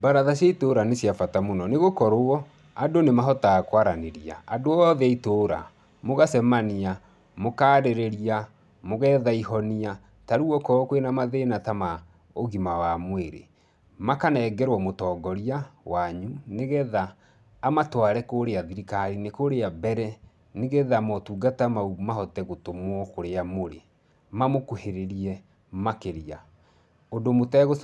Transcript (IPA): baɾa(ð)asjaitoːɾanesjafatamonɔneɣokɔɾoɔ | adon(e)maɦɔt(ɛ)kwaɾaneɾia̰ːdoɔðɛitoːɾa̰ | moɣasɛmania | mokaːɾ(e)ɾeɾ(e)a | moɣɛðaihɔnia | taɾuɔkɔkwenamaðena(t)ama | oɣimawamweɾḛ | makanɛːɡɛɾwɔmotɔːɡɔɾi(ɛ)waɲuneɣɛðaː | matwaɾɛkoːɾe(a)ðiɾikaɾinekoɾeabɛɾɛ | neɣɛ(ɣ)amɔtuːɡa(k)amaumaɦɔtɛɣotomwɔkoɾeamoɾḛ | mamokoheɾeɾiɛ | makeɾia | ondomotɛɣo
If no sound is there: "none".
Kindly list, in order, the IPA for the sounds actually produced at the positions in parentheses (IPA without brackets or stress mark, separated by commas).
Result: ð, e, a, e, i, t, a, a, ð, t